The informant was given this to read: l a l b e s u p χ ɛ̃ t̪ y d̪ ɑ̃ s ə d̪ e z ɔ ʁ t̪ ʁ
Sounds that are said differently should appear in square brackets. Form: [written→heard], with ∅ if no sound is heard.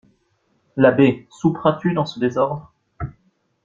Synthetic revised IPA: l a [l→∅] b e s u p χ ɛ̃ t̪ y d̪ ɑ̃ s ə d̪ e z ɔ ʁ [t̪→d̪] ʁ

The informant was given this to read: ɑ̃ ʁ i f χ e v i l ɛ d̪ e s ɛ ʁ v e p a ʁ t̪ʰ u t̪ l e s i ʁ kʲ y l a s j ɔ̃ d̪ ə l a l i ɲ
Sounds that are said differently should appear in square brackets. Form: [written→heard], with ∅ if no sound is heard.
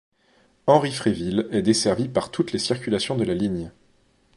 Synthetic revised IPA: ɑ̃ ʁ i f χ e v i l ɛ d̪ e s ɛ ʁ v [e→i] p a ʁ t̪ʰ u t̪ l e s i ʁ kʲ y l a s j ɔ̃ d̪ ə l a l i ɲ

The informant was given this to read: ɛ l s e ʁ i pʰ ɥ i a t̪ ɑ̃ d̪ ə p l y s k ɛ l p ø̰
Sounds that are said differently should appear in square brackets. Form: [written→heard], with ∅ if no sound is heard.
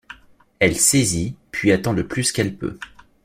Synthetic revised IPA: ɛ l s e [ʁ→z] i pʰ ɥ i a t̪ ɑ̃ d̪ ə p l y s k ɛ l p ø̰

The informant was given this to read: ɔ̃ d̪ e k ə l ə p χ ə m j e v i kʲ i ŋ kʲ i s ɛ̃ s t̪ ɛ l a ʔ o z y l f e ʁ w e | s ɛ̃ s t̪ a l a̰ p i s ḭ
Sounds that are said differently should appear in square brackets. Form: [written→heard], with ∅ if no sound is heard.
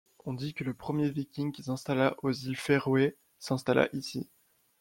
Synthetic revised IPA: ɔ̃ d̪ [e→i] k ə l ə p χ ə m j e v i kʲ i ŋ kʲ i s ɛ̃ s t̪ [ɛ→a] l a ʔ o z [y→i] l f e ʁ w e | s ɛ̃ s t̪ a l a̰ [p→ʔ] i s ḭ

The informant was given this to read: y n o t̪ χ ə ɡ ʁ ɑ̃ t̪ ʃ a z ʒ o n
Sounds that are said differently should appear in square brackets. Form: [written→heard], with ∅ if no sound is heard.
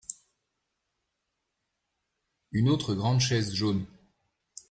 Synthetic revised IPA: y n o t̪ χ ə ɡ ʁ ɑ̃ [t̪→d̪] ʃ [a→ɛ] z ʒ o n

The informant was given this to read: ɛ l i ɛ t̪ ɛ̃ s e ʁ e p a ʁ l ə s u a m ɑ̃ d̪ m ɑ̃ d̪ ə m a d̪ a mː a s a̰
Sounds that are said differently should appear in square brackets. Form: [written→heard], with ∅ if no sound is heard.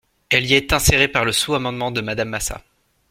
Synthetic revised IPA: ɛ l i ɛ t̪ ɛ̃ s e ʁ e p a ʁ l ə s u a m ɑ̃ d̪ m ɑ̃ d̪ ə m a d̪ a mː a s a̰

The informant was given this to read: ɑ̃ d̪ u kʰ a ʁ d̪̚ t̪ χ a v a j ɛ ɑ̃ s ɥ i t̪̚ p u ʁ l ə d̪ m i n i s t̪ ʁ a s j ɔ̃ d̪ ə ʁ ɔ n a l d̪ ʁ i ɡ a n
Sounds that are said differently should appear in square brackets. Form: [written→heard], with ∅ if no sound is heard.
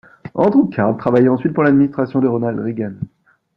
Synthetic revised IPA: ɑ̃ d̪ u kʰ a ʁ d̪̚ t̪ χ a v a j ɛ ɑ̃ s ɥ i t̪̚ p u ʁ l [ə→a] d̪ m i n i s t̪ [ʁ→χ] a s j ɔ̃ d̪ ə ʁ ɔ n a l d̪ ʁ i ɡ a n

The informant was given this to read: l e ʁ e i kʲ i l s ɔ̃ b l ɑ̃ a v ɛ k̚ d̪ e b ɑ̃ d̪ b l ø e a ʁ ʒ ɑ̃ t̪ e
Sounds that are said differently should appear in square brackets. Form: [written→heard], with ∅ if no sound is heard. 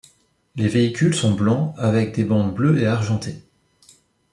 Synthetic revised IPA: l e [ʁ→v] e i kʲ [i→y] l s ɔ̃ b l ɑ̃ a v ɛ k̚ d̪ e b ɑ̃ d̪ b l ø e a ʁ ʒ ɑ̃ t̪ e

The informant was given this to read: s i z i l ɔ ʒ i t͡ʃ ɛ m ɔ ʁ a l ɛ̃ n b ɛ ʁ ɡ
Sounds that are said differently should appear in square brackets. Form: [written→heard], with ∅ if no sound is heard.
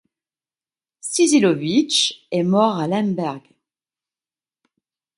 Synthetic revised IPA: s i z i l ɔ [ʒ→v] i t͡ʃ ɛ m ɔ ʁ a l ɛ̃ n b ɛ ʁ ɡ

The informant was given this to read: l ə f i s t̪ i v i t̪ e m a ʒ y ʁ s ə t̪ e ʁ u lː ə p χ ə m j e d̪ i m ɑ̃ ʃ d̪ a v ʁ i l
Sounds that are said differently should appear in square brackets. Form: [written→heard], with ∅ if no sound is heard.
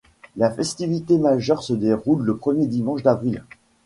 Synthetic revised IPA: l [ə→a] f [i→ɛ] s t̪ i v i t̪ e m a ʒ [y→œ] ʁ s ə [t̪→d̪] e ʁ u lː ə p χ ə m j e d̪ i m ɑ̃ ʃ d̪ a v ʁ i l

